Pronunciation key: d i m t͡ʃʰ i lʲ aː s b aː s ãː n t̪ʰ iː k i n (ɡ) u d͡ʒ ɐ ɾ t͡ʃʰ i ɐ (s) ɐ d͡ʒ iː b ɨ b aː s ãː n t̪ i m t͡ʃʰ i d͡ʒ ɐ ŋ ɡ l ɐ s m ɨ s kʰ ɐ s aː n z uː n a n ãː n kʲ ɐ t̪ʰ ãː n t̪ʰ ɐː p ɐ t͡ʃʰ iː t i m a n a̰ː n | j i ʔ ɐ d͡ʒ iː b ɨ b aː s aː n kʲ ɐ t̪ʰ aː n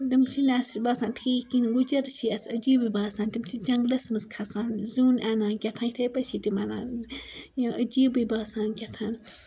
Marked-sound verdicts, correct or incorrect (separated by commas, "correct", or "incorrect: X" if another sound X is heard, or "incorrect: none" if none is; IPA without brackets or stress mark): correct, correct